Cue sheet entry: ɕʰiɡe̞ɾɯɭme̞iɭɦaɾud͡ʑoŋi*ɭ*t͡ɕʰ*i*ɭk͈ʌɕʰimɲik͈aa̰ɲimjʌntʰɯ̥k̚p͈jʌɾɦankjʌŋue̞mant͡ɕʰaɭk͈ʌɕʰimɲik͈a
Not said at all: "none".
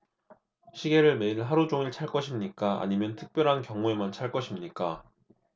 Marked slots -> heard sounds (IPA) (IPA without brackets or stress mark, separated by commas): ɭ, a